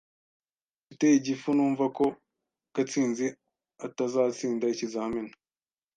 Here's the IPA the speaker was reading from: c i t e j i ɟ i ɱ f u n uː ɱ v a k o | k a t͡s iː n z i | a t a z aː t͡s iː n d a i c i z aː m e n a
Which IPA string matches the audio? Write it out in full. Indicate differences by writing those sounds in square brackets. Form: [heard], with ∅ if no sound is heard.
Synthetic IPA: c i t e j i ɟ i [∅] f u n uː ɱ v a k o | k a t͡s iː n z i | a t a z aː t͡s iː n d a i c i z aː m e n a